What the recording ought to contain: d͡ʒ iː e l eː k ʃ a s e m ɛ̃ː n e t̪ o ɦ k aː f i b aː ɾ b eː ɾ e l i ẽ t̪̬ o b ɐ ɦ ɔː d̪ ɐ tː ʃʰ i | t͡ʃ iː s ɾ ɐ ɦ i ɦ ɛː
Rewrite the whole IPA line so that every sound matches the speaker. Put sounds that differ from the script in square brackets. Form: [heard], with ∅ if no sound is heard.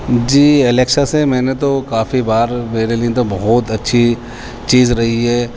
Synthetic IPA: d͡ʒ iː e l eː k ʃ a s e m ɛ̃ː n e t̪ o [∅] k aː f i b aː ɾ [m] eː ɾ e l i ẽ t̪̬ o b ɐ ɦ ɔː [t̪] ɐ tː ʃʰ i | t͡ʃ iː [z] ɾ ɐ ɦ i ɦ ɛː

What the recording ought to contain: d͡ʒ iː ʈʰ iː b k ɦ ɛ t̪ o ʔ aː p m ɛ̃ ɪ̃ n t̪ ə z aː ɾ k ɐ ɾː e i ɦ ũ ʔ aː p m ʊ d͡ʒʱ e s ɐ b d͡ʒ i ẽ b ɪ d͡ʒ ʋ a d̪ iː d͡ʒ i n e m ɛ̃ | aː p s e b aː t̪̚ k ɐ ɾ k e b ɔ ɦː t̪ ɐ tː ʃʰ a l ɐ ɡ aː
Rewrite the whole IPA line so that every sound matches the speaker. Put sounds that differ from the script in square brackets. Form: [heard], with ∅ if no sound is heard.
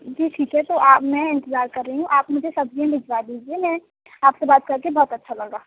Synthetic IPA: d͡ʒ iː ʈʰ iː [∅] k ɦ ɛ t̪ o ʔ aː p m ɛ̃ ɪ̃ n t̪ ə z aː ɾ k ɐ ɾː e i ɦ ũ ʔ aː p m ʊ d͡ʒʱ e s ɐ b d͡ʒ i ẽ b ɪ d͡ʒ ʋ a d̪ iː d͡ʒ i [∅] e m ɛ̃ | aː p s e b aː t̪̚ k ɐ ɾ k e b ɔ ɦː t̪ ɐ tː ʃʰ a l ɐ ɡ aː

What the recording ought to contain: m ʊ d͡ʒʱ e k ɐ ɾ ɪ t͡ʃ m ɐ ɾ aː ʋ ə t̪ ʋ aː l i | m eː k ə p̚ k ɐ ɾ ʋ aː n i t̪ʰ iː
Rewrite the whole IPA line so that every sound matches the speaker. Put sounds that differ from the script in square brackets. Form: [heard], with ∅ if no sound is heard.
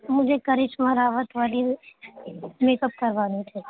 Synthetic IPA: m ʊ d͡ʒʱ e k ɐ ɾ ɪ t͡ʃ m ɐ ɾ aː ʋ ə t̪ ʋ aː l i | m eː k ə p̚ k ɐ ɾ ʋ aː n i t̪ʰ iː

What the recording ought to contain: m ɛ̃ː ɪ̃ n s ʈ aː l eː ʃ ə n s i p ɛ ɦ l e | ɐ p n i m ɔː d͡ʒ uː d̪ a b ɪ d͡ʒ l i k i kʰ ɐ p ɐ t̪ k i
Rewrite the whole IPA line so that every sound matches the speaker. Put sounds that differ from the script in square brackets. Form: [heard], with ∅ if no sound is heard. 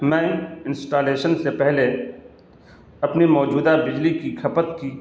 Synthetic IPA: m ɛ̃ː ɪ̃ n s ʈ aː l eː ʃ ə n s [e] p ɛ ɦ l e | ɐ p n i m ɔː d͡ʒ uː d̪ a b ɪ d͡ʒ l i k i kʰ ɐ p [ə] t̪ k i

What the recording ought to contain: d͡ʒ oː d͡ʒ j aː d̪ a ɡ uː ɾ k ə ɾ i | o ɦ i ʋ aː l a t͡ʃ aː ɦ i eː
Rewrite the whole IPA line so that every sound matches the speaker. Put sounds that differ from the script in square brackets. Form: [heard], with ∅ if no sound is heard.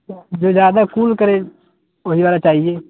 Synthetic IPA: d͡ʒ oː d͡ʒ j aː d̪ a [k] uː [l] k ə ɾ [e] | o ɦ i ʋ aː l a t͡ʃ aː ɦ i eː

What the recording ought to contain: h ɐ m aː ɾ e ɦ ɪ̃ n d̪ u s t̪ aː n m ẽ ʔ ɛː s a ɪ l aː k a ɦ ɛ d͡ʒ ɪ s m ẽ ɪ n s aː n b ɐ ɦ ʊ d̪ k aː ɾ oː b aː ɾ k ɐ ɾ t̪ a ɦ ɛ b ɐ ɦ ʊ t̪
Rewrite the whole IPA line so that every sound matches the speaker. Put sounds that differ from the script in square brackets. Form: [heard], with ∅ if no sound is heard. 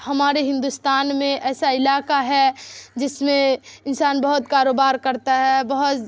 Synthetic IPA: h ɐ m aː ɾ e ɦ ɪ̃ n d̪ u s t̪ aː n m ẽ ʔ ɛː s a ɪ l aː k a ɦ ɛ d͡ʒ ɪ s m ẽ ɪ n s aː n b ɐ ɦ ʊ [t̪] k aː ɾ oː b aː ɾ k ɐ ɾ t̪ a ɦ ɛ b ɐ ɦ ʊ t̪

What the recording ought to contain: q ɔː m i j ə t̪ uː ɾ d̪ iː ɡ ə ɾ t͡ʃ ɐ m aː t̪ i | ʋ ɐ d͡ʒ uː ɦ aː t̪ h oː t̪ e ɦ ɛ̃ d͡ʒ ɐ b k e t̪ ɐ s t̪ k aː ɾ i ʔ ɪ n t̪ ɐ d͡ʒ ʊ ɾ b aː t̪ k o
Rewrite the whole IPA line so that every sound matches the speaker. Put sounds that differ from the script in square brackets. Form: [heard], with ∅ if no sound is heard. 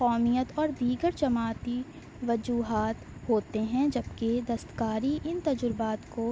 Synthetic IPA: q ɔː m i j ə t̪ [ɔː] ɾ d̪ iː ɡ ə ɾ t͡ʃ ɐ m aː t̪ i | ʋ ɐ d͡ʒ uː ɦ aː t̪ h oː t̪ e ɦ ɛ̃ d͡ʒ ɐ b k e [d̪] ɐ s t̪ k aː ɾ i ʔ ɪ n t̪ ɐ d͡ʒ ʊ ɾ b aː t̪ k o

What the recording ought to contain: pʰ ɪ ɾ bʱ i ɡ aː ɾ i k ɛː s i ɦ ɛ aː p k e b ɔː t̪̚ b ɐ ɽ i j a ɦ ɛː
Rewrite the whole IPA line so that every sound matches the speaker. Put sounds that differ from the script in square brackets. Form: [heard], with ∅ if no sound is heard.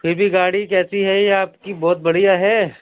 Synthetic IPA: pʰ ɪ ɾ bʱ i ɡ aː [ɽ] i k ɛː s i ɦ ɛ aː p k [i] b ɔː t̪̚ b ɐ ɽ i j a ɦ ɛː

